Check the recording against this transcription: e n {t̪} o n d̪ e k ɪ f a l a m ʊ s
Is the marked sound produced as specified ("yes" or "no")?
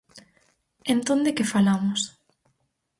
yes